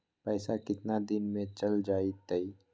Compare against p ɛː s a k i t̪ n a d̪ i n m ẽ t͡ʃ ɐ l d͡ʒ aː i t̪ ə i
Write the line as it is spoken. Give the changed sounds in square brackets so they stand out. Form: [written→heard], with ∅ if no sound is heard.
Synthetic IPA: p ɛː s a k [i→ɪ] t̪ n a d̪ [i→ɪ] n m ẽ t͡ʃ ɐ l d͡ʒ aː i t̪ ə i